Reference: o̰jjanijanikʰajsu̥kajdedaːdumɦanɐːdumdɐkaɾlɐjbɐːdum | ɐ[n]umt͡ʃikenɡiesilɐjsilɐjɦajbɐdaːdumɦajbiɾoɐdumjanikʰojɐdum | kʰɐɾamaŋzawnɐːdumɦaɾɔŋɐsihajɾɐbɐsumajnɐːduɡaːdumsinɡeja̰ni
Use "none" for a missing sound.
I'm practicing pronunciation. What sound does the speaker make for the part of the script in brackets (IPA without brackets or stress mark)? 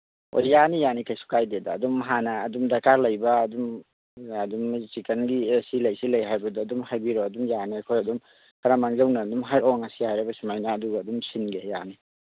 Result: d